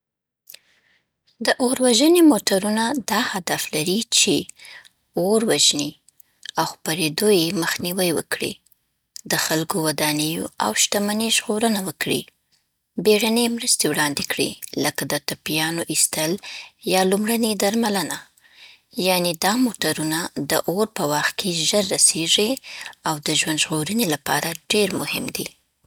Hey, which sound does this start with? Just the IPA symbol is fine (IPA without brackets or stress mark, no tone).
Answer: d̪